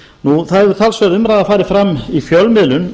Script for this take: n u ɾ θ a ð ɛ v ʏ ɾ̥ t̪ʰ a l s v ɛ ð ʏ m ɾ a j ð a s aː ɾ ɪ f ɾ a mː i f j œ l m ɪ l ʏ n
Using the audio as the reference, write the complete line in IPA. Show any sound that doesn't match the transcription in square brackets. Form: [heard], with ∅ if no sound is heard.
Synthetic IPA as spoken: n u [∅] θ a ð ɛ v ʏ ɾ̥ t̪ʰ a l s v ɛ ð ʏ m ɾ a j ð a [f] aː ɾ ɪ f ɾ a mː i f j œ l m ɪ l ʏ n